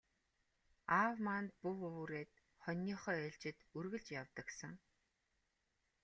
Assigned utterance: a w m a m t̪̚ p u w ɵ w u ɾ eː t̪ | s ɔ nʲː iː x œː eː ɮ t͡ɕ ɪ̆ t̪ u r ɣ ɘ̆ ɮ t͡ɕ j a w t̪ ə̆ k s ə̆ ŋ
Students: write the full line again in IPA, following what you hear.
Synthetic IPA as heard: a w m a n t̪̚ p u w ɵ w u ɾ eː t̪ | χ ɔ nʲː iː χ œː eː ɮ t͡ɕ ɪ̆ t̪ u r ɣ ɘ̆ ɮ t͡ɕ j a w t̪ ə̆ k s ə̆ ŋ